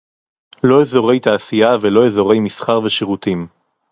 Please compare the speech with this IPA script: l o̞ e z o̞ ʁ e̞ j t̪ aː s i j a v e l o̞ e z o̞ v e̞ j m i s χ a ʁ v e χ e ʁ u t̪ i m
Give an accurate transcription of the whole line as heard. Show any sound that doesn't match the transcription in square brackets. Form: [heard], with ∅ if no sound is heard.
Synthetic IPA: l o̞ e z o̞ ʁ e̞ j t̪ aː s i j a v e l o̞ e z o̞ [ʁ] e̞ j m i s χ a ʁ v e [ʃ] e ʁ u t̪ i m